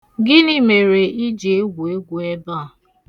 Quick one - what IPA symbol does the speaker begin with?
ɡ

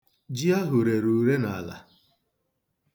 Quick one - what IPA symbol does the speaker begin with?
d͡ʒ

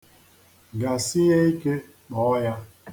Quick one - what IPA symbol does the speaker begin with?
ɡ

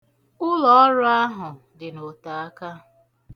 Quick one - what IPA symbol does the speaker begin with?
ʊ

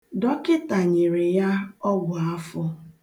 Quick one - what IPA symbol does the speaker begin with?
d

